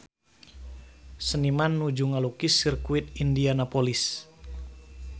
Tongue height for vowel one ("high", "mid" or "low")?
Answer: mid